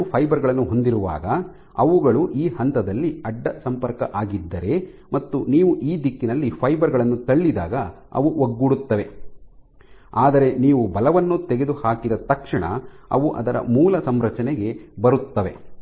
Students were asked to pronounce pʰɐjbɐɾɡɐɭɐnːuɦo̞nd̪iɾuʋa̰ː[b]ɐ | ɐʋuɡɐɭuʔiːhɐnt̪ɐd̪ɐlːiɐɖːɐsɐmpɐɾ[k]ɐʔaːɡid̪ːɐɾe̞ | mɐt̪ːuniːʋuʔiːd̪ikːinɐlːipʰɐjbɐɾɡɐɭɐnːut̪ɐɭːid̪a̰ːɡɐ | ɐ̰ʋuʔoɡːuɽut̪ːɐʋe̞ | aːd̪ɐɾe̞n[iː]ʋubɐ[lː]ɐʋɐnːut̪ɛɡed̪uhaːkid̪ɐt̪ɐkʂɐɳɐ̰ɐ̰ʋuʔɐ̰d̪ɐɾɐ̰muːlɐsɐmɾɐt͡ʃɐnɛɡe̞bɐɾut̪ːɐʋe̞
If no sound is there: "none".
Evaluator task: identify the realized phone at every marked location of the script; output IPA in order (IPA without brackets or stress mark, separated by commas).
ɡ, k, iː, l